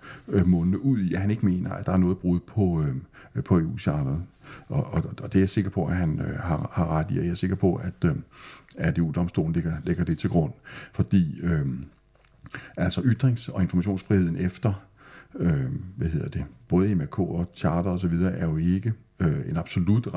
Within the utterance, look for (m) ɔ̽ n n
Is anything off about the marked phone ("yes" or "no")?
no